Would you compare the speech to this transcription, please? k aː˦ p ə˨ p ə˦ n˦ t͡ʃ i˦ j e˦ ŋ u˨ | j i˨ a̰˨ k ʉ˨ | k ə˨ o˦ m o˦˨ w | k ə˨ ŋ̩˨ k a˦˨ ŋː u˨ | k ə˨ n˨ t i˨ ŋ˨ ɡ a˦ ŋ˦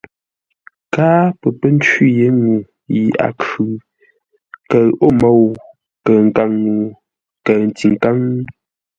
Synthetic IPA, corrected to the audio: k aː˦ p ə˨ p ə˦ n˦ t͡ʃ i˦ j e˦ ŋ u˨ | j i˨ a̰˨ k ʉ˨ | k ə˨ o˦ m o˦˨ w | k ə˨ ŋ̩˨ k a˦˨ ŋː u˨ | k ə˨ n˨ t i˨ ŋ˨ k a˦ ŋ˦